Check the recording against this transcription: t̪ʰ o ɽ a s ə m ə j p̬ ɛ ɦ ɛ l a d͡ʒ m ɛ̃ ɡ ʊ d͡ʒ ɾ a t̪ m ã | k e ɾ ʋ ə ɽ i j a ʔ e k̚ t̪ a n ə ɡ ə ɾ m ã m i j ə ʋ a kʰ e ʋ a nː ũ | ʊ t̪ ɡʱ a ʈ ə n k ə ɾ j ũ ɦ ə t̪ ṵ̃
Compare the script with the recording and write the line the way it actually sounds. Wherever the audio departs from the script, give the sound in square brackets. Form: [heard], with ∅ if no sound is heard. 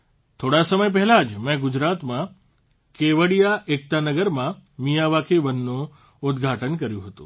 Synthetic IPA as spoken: t̪ʰ o ɽ a s ə m ə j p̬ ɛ ɦ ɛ l a d͡ʒ m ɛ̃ ɡ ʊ d͡ʒ ɾ a t̪ m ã | k e [∅] ʋ ə ɽ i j a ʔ e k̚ t̪ a n ə ɡ ə ɾ m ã m i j [a] ʋ a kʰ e ʋ [ə] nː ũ | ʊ [d̪] ɡʱ a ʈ ə n k ə ɾ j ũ ɦ ə t̪ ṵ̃